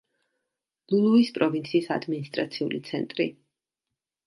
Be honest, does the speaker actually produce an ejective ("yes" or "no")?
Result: yes